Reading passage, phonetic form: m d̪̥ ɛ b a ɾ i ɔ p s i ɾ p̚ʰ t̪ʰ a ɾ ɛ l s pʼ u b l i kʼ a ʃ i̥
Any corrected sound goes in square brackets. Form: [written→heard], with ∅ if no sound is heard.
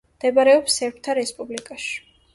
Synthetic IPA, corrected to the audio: m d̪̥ ɛ b a ɾ [i→ɛ] ɔ p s [i→ɛ] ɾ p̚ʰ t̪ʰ a ɾ ɛ [l→∅] s pʼ u b l i kʼ a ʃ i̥